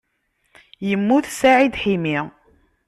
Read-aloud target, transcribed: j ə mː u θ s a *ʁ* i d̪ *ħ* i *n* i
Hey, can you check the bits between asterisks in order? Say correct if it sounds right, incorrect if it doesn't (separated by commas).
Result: incorrect, correct, incorrect